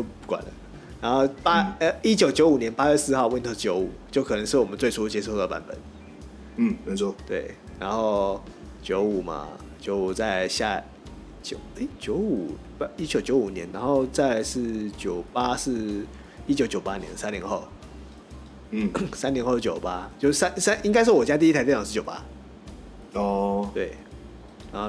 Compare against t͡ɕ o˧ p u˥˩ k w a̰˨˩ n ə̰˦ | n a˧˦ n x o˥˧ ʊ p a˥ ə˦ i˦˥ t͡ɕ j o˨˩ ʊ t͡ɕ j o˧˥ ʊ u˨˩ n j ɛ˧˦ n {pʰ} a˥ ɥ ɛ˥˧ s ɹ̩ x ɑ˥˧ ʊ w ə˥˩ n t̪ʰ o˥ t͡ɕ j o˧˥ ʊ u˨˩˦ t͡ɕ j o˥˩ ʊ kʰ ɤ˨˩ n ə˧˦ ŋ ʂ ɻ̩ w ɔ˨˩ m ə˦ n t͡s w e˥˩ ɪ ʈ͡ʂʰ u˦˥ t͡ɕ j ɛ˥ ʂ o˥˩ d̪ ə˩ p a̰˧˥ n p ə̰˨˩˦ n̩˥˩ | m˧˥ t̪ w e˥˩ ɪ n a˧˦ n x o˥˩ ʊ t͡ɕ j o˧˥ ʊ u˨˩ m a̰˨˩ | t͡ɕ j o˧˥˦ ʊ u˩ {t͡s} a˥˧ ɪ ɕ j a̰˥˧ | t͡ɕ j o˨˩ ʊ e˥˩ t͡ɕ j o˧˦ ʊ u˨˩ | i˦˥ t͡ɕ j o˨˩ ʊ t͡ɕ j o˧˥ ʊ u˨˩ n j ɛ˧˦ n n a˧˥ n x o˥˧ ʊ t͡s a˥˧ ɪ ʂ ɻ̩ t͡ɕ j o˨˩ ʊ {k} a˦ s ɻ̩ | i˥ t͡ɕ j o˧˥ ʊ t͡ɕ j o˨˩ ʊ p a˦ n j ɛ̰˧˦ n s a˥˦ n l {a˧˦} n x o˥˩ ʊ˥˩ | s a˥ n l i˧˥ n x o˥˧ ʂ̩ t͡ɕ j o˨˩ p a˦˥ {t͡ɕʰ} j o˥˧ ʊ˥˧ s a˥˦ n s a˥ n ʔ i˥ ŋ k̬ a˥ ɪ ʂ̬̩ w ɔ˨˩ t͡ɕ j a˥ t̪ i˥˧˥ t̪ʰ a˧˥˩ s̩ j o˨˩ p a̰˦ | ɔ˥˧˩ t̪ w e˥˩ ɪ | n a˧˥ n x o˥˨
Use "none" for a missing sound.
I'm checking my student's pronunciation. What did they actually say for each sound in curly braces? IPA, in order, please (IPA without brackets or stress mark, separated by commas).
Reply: p, t͡s, p, i˧˦, t͡ɕ